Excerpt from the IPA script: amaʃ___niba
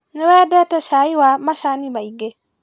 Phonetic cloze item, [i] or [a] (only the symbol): a